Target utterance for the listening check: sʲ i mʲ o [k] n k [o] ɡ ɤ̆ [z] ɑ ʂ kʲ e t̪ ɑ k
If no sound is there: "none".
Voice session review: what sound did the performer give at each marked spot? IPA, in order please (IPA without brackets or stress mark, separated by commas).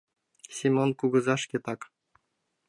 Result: none, u, z